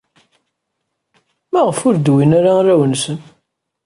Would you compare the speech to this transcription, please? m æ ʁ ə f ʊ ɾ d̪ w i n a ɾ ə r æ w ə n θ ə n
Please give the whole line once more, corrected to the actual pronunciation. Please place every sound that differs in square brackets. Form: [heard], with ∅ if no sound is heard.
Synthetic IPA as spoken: m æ ʁ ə f ʊ ɾ d̪ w i n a ɾ [a] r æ w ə n [s] ə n